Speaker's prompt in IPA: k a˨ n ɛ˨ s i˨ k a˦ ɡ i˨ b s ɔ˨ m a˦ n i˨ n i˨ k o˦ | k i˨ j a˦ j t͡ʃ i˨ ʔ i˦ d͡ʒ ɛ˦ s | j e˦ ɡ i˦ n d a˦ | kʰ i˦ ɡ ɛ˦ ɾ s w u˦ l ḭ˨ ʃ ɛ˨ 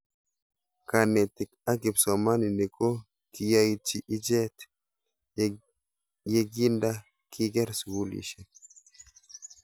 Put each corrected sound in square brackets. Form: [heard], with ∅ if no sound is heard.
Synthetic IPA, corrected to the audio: k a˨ n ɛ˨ [t] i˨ k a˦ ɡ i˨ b s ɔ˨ m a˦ n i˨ n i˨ k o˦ | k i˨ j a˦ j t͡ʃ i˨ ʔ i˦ d͡ʒ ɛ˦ [t] | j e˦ ɡ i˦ n d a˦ | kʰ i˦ ɡ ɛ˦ ɾ s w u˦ l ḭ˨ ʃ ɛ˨